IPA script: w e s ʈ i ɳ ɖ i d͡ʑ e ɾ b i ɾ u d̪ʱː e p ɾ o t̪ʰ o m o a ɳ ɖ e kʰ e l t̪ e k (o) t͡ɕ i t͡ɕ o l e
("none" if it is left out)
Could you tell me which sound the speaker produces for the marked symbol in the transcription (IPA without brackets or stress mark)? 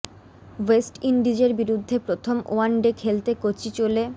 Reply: o